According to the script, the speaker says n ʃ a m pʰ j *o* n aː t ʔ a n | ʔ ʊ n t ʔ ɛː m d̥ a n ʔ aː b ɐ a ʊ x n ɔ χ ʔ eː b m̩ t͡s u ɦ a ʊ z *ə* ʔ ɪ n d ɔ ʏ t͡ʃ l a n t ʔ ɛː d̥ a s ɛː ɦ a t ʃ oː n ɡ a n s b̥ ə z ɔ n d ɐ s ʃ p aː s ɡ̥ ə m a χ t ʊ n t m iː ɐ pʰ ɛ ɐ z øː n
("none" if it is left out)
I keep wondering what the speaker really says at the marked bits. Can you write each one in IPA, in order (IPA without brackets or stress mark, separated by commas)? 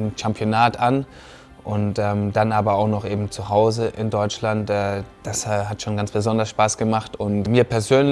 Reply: o, ə